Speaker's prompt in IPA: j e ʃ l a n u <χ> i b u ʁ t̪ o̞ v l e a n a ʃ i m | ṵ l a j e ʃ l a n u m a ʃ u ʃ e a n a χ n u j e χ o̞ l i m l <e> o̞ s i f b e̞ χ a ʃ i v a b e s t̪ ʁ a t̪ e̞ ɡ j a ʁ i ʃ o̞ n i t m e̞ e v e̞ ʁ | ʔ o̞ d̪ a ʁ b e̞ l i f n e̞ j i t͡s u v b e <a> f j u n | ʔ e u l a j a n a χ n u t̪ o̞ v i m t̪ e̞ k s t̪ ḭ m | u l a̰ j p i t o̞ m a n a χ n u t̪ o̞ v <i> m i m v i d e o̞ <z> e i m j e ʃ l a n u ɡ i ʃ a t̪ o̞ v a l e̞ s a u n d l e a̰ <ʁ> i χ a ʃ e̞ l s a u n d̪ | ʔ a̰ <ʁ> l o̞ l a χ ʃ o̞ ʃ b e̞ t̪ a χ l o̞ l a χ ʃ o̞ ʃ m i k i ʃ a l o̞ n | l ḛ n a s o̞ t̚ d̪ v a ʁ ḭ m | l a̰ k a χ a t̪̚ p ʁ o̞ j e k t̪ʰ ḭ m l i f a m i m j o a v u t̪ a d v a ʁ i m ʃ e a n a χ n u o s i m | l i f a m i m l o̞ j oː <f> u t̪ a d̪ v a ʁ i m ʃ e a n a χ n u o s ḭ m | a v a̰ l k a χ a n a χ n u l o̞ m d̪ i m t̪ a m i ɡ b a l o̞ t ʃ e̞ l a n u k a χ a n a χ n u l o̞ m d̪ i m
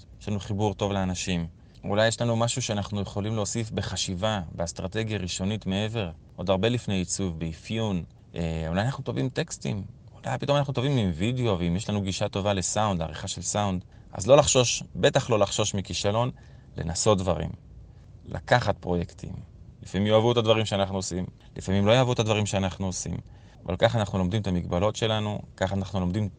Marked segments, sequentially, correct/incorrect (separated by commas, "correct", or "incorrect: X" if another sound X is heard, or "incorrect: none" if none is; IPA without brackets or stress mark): correct, correct, incorrect: i, correct, incorrect: v, correct, incorrect: z, incorrect: v